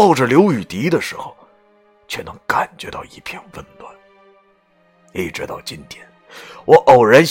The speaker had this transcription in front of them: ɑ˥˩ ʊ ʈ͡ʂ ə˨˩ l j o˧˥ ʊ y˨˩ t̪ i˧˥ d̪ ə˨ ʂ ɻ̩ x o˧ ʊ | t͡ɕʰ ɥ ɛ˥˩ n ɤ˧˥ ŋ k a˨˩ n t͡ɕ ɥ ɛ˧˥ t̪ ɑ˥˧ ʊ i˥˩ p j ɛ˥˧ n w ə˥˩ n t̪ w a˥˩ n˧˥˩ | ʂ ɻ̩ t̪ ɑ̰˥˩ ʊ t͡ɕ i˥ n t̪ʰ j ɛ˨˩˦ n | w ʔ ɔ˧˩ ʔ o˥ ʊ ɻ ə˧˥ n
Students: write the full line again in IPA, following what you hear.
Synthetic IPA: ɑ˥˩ ʊ ʈ͡ʂ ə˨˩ l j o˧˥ ʊ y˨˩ t̪ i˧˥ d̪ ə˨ ʂ ɻ̩ x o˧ ʊ | t͡ɕʰ ɥ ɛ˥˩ n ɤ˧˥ ŋ k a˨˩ n t͡ɕ ɥ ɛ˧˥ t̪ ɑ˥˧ ʊ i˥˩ pʰ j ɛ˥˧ n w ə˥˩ n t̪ w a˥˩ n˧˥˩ | ʈ͡ʂ ɻ̩ t̪ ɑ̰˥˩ ʊ t͡ɕ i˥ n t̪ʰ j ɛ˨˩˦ n | w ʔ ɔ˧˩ ʔ o˨˩ ʊ ɻ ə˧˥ n